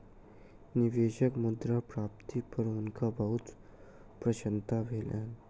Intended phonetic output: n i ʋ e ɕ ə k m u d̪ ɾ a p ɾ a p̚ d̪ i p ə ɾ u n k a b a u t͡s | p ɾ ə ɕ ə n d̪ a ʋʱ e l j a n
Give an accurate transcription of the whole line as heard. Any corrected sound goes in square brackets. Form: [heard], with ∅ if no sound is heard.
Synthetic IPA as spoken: n i ʋ e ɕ ə k m u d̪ ɾ a p ɾ a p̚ [t̪] i p ə ɾ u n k a b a u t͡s | p ɾ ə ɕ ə n [t̪] a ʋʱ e l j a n